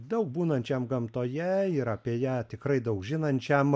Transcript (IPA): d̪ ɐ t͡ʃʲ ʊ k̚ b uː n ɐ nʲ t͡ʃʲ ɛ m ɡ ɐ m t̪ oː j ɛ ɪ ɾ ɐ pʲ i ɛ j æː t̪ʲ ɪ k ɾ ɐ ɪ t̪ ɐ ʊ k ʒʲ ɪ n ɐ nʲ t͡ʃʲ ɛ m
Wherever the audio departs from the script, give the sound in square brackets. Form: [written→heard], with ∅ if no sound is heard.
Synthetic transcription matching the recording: d̪ ɐ [t͡ʃʲ→∅] ʊ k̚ b uː n ɐ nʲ t͡ʃʲ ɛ m ɡ ɐ m t̪ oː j ɛ ɪ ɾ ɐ pʲ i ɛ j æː t̪ʲ ɪ k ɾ ɐ ɪ [t̪→d̪] ɐ ʊ k ʒʲ ɪ n ɐ nʲ t͡ʃʲ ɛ m

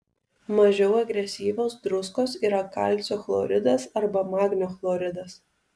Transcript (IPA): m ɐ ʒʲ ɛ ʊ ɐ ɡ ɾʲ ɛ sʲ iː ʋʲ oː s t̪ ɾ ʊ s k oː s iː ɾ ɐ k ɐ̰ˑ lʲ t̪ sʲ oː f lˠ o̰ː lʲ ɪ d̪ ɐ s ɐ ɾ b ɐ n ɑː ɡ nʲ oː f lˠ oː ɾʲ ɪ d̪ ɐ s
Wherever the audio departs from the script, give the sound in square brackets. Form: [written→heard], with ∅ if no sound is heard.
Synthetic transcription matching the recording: m ɐ ʒʲ ɛ ʊ ɐ ɡ ɾʲ ɛ sʲ iː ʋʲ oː s [t̪→d̪] ɾ ʊ s k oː s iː ɾ ɐ k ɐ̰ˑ lʲ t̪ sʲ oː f lˠ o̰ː [lʲ→ɾʲ] ɪ d̪ ɐ s ɐ ɾ b ɐ [n→m] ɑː ɡ nʲ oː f lˠ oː ɾʲ ɪ d̪ ɐ s

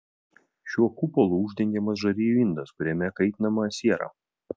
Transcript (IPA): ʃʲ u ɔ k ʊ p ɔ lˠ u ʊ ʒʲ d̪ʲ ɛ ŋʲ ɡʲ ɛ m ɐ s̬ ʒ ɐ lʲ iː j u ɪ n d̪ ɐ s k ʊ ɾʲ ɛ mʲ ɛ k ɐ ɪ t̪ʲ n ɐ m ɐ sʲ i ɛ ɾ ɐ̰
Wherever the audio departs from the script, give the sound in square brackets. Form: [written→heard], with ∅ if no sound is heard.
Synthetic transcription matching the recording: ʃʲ u ɔ k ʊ p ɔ lˠ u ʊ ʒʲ d̪ʲ ɛ ŋʲ ɡʲ ɛ m ɐ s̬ ʒ ɐ [lʲ→ɾʲ] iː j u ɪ n d̪ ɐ s k ʊ ɾʲ ɛ mʲ ɛ k ɐ ɪ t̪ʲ n ɐ m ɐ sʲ i ɛ ɾ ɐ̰

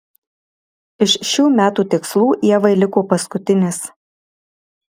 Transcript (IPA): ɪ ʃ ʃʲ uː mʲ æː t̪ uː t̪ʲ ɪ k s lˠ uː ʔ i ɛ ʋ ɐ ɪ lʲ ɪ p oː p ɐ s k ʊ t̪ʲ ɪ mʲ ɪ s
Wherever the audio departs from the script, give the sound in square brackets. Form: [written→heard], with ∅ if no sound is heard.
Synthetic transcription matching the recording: ɪ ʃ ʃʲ uː mʲ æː t̪ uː t̪ʲ ɪ k s lˠ uː ʔ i ɛ ʋ ɐ ɪ lʲ ɪ [p→k] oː p ɐ s k ʊ t̪ʲ ɪ [mʲ→nʲ] ɪ s

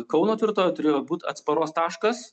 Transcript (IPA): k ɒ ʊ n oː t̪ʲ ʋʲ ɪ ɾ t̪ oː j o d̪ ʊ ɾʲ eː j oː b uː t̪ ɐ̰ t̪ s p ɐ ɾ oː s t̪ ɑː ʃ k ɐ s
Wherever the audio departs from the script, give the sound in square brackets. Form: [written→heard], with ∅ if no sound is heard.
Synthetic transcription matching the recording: k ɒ ʊ n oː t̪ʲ ʋʲ ɪ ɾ t̪ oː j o [d̪→t̪] ʊ ɾʲ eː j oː b uː t̪ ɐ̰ t̪ s p ɐ ɾ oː s t̪ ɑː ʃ k ɐ s

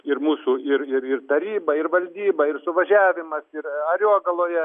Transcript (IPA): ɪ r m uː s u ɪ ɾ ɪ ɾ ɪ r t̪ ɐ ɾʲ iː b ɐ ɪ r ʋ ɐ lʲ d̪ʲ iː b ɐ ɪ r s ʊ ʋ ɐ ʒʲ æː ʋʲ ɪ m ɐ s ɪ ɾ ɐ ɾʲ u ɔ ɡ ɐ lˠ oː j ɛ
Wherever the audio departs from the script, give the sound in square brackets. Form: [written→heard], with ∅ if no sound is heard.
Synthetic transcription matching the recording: ɪ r m uː s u ɪ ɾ ɪ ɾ ɪ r t̪ ɐ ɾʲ iː b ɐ ɪ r ʋ ɐ lʲ d̪ʲ iː b ɐ ɪ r s ʊ ʋ ɐ ʒʲ æː ʋʲ ɪ m ɐ s ɪ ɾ ɐ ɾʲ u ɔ ɡ ɐ lˠ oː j ɛ

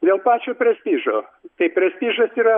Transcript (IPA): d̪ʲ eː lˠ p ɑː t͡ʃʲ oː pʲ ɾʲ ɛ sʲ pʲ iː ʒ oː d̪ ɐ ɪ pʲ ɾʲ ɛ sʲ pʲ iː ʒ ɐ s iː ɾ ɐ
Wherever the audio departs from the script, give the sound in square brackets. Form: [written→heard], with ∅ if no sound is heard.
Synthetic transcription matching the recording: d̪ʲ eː lˠ p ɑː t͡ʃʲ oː pʲ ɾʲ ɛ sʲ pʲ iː ʒ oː [d̪→t̪] ɐ ɪ pʲ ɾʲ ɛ sʲ pʲ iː ʒ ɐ s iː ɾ ɐ

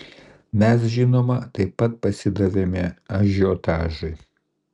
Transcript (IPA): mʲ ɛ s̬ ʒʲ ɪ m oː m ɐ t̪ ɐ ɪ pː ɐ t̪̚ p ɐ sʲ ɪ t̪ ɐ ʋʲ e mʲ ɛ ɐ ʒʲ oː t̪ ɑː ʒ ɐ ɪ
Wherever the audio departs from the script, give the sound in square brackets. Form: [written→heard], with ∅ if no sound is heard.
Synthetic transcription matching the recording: mʲ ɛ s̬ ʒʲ ɪ [m→n] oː m ɐ t̪ ɐ ɪ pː ɐ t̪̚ p ɐ sʲ ɪ [t̪→d̪] ɐ ʋʲ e mʲ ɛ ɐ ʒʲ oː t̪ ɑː ʒ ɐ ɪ

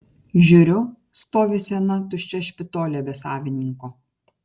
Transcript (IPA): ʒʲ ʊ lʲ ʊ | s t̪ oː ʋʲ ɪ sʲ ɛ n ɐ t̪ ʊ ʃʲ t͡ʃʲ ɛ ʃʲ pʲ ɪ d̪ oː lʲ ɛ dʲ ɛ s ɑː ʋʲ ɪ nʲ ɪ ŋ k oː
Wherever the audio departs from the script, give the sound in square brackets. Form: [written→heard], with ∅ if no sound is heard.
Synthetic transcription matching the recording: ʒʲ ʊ [lʲ→ɾʲ] ʊ | s t̪ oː ʋʲ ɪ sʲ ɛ n ɐ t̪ ʊ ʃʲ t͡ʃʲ ɛ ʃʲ pʲ ɪ [d̪→t̪] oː lʲ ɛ [dʲ→bʲ] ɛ s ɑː ʋʲ ɪ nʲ ɪ ŋ k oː

